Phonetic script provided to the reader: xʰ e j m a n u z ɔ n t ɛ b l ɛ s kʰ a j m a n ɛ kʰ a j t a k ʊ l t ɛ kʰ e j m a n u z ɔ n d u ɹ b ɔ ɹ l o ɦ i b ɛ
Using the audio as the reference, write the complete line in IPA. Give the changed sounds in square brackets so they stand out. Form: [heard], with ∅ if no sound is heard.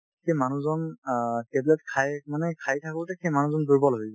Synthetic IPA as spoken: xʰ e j m a n u z ɔ n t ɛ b l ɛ [t] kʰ a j m a n ɛ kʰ a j [tʰ] a k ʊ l t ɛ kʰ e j m a n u z ɔ n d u ɹ b ɔ [∅] l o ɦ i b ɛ